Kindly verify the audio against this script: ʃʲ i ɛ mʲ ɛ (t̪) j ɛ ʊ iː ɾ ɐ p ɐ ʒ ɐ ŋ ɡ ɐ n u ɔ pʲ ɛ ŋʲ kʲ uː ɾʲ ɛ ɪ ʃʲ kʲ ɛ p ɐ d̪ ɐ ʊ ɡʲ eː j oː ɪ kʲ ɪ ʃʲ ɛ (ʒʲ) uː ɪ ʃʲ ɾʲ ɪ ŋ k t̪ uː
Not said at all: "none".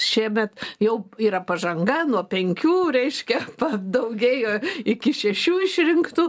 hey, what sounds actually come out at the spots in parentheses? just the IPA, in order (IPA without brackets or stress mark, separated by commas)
t̪, ʃʲ